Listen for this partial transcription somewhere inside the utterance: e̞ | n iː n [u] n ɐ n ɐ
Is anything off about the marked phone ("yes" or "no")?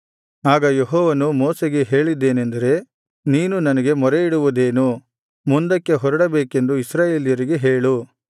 no